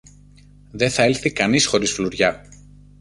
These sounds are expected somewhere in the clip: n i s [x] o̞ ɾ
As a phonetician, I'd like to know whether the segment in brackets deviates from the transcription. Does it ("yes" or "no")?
no